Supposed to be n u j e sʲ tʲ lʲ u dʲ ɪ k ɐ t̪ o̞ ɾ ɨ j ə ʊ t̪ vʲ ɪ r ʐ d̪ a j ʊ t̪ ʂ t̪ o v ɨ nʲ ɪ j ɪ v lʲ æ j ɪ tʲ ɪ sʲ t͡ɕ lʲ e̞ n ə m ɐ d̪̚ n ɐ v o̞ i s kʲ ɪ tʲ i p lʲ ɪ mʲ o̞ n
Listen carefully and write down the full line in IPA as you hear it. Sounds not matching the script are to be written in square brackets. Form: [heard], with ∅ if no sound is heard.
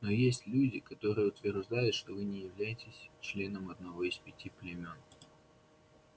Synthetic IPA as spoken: n [o] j e sʲ tʲ lʲ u dʲ ɪ k ɐ t̪ o̞ ɾ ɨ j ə ʊ t̪ vʲ ɪ r ʐ d̪ a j ʊ t̪ ʂ t̪ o v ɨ nʲ ɪ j ɪ v lʲ æ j ɪ tʲ ɪ sʲ t͡ɕ lʲ e̞ n ə m ɐ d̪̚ n ɐ v o̞ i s [pʲ] ɪ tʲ i p lʲ ɪ mʲ o̞ n